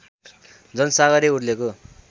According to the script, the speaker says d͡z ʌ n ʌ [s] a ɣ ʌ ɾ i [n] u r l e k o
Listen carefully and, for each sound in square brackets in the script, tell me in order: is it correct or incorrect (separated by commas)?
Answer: correct, incorrect